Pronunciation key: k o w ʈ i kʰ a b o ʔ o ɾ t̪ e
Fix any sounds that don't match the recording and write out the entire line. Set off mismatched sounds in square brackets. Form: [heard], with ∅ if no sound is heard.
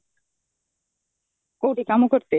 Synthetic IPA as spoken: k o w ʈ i [k] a [m] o [k] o ɾ t̪ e